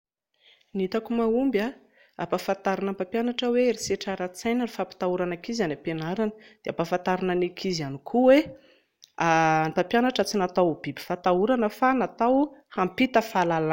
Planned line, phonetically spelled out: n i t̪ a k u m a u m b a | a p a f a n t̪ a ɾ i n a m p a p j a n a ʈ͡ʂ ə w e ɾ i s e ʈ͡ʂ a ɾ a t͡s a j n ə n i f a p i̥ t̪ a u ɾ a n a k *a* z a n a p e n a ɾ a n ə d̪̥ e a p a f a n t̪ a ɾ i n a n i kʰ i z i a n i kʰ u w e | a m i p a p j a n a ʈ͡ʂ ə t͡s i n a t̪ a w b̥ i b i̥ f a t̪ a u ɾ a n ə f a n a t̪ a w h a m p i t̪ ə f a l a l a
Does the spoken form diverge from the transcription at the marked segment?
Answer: yes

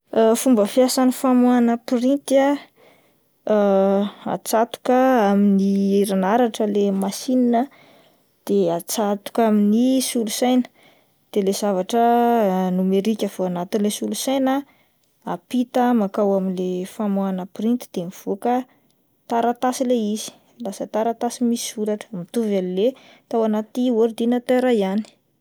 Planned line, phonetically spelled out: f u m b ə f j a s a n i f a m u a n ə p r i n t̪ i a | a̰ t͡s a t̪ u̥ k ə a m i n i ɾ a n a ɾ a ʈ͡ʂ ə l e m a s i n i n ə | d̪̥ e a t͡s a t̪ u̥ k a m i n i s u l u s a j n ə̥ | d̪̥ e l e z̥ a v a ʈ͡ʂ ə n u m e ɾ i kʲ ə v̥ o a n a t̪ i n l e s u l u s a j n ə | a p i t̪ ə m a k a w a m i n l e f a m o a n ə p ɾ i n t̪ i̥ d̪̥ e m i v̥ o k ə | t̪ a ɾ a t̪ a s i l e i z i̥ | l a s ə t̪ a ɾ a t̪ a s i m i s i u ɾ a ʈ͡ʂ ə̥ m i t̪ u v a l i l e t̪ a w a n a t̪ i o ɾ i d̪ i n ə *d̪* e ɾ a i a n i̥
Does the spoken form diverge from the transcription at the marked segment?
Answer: yes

